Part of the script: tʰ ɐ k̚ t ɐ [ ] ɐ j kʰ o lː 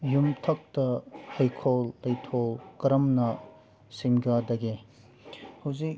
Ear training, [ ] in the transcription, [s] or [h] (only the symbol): h